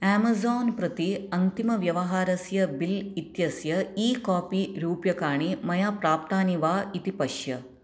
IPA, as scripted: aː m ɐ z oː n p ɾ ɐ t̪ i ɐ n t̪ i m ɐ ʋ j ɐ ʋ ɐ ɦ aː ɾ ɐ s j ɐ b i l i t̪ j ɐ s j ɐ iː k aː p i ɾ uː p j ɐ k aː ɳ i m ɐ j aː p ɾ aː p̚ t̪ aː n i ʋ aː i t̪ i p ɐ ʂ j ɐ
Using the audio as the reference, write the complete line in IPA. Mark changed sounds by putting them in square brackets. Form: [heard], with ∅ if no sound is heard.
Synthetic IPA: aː m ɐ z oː n p ɾ ɐ t̪ i ɐ n t̪ i m ɐ ʋ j ɐ ʋ ɐ ɦ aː ɾ ɐ s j ɐ b i l i t̪ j ɐ s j ɐ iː k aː p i ɾ uː p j ɐ k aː ɳ i m ɐ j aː p ɾ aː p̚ t̪ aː n i ʋ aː i t̪ i p ɐ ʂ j ɐ